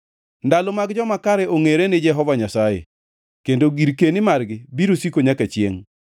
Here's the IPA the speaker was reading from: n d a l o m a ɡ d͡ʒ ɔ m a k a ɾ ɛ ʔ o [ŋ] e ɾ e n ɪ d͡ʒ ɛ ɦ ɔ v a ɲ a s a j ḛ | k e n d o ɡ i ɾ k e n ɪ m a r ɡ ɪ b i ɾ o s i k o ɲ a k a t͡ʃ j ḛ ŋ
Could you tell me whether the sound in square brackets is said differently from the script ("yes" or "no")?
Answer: no